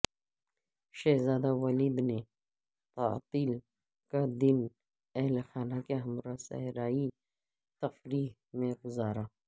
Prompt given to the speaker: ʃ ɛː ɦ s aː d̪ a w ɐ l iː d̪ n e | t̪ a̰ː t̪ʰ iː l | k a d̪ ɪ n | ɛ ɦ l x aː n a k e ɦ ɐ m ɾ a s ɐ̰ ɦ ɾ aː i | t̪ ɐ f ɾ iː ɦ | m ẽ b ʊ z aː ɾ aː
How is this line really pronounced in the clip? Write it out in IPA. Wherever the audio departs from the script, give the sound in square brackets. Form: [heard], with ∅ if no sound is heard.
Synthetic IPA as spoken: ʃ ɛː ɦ [z] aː d̪ a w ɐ l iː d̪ n e | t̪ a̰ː [t̪] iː l | k a d̪ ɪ n | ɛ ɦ l x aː n a k e ɦ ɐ m ɾ a s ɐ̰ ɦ ɾ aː i | t̪ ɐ f ɾ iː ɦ | m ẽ [ɡ] ʊ z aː ɾ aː